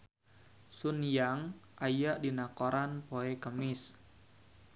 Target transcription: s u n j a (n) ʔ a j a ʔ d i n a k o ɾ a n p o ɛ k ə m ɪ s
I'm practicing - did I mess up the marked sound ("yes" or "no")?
yes